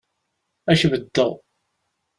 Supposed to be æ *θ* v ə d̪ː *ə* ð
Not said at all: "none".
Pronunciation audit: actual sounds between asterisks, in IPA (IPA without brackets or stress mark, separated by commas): ʃ, ə